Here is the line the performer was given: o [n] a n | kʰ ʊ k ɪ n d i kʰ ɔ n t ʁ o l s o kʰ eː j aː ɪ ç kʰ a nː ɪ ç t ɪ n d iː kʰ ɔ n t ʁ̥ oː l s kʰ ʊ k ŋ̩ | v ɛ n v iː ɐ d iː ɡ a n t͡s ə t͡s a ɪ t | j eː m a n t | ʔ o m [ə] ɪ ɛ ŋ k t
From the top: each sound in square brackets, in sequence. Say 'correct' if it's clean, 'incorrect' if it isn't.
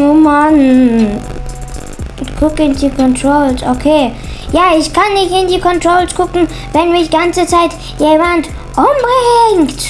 incorrect: m, incorrect: a

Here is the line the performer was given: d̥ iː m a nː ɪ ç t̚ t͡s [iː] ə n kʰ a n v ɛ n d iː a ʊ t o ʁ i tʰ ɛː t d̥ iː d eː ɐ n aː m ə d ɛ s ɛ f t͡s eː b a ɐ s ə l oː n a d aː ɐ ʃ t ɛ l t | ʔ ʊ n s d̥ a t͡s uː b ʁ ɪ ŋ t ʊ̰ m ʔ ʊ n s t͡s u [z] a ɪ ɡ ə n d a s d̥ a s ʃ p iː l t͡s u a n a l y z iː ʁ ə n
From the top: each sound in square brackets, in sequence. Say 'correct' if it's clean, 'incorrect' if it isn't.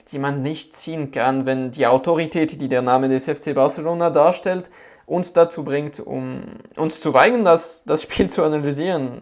correct, incorrect: v

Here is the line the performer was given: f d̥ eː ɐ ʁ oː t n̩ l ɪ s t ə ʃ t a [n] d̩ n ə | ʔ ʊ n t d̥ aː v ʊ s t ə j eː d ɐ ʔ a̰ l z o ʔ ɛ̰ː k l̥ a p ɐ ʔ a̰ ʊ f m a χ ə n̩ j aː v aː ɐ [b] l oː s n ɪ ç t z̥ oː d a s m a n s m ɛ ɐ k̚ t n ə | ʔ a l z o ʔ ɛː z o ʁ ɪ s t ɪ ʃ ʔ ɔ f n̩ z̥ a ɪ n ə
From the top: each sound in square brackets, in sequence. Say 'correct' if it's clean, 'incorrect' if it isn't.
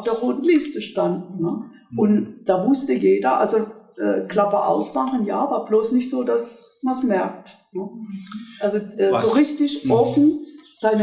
correct, correct

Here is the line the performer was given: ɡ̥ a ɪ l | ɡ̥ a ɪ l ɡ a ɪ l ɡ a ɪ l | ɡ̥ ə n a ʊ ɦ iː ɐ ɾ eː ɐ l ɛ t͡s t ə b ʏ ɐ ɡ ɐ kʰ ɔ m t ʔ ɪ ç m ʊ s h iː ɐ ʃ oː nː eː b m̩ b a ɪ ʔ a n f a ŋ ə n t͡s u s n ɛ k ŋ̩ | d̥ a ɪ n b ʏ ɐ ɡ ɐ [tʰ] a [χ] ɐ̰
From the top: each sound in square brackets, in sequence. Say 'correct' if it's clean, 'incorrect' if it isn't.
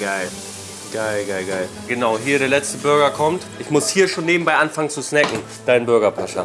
incorrect: pʰ, incorrect: ʃ

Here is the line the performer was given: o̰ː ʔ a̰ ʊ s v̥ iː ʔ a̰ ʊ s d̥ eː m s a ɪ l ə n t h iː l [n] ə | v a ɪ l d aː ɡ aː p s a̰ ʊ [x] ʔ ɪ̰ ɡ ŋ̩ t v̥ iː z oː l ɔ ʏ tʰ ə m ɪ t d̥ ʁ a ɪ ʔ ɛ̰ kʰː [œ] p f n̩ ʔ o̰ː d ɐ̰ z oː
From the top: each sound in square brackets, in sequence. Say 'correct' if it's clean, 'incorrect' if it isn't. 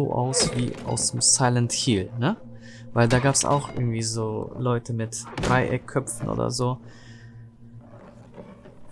correct, correct, correct

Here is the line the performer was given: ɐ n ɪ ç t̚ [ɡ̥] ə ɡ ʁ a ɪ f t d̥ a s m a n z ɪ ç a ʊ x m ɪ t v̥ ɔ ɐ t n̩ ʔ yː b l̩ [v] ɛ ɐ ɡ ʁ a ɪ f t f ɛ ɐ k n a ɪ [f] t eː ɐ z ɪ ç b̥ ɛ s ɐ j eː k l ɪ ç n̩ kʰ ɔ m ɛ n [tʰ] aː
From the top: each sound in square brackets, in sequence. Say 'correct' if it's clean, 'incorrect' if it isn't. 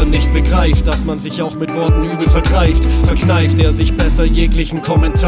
incorrect: b̥, incorrect: f, correct, correct

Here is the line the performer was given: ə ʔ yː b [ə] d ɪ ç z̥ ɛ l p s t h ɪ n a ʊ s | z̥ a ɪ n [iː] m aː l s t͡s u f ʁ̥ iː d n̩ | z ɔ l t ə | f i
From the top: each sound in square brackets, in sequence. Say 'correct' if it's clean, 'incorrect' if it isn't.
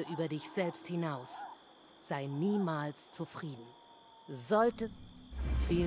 incorrect: ɐ, correct

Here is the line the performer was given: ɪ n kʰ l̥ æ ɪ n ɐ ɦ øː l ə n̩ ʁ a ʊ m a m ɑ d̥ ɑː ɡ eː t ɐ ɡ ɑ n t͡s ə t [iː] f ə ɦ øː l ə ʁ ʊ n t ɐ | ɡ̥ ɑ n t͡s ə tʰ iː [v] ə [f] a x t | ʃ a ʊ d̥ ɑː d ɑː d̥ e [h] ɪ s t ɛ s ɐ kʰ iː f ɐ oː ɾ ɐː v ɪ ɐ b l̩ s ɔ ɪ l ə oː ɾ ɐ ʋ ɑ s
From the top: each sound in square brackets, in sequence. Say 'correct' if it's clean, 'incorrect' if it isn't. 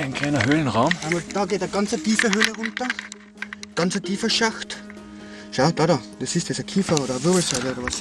correct, incorrect: f, incorrect: ʃ, incorrect: s

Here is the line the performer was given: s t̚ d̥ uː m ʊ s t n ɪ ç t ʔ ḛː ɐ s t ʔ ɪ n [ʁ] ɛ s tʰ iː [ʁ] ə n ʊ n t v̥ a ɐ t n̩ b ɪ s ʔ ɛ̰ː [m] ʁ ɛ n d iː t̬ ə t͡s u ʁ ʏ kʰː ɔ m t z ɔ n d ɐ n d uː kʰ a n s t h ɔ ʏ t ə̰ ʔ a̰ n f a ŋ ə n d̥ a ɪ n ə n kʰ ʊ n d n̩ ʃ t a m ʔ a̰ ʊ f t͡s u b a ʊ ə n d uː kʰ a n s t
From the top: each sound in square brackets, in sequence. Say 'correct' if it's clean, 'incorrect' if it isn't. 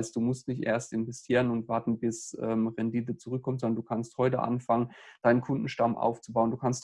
incorrect: v, correct, correct

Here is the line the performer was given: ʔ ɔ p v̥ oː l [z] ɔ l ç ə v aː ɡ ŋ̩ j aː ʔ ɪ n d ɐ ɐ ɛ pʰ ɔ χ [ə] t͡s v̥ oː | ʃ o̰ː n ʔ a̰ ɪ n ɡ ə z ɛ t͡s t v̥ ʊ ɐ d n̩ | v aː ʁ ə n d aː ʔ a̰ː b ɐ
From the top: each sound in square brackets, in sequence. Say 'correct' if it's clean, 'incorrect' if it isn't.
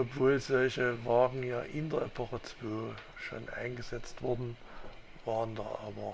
correct, correct

